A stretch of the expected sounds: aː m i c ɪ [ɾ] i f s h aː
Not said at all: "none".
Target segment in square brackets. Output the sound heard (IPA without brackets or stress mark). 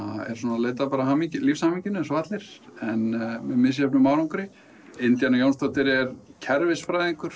l